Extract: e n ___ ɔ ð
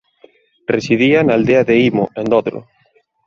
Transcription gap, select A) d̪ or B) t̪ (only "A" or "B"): A